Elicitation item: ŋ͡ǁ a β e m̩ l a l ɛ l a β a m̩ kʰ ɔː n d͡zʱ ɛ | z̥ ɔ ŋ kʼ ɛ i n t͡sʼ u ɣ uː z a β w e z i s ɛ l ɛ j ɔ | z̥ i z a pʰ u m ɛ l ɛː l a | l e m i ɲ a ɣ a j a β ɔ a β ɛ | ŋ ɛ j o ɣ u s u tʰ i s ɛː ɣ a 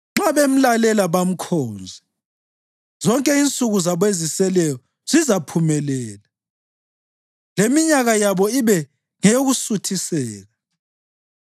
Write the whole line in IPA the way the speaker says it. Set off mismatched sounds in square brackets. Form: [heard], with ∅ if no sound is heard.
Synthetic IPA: ŋ͡ǁ a β e m̩ l a l ɛ l a β a m̩ kʰ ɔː n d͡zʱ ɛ | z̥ ɔ ŋ kʼ ɛ i n t͡sʼ u ɣ [u] z a β w e z i s ɛ l ɛ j ɔ | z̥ i z a pʰ u m ɛ l ɛː l a | l e m i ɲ a ɣ a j a β ɔ [i] β ɛ | ŋ ɛ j o ɣ u s u tʰ i s ɛː ɣ a